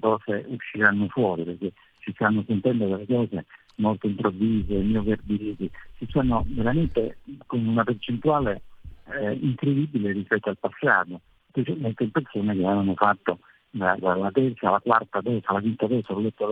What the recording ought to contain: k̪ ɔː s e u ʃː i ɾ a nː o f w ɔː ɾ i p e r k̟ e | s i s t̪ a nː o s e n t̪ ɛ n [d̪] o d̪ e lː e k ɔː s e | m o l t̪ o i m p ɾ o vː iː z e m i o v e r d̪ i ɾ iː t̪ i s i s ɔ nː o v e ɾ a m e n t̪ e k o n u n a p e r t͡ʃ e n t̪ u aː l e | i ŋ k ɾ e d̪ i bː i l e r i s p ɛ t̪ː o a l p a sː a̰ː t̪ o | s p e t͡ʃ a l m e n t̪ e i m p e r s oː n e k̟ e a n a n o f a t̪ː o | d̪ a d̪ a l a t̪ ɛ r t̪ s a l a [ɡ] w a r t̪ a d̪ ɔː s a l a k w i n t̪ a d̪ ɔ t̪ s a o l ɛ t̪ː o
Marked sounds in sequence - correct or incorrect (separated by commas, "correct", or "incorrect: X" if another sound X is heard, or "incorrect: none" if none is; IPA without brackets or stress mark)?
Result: correct, incorrect: k